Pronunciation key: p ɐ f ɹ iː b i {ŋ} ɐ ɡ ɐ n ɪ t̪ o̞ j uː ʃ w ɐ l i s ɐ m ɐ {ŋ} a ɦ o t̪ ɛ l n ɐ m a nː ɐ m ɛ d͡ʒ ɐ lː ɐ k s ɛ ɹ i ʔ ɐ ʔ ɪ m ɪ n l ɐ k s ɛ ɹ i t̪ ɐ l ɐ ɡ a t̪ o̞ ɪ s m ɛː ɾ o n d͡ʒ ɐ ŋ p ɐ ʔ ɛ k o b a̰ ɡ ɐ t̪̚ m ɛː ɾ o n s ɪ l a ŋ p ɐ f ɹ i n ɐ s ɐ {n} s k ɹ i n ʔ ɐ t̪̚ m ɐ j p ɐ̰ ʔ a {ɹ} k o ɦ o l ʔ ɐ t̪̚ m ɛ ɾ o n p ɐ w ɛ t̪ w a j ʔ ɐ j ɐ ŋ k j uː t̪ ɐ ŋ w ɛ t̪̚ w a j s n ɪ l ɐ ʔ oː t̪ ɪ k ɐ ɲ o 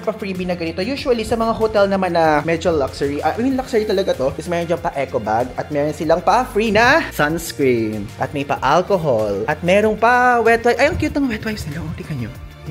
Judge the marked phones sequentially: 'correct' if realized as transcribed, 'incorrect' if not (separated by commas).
incorrect, correct, correct, incorrect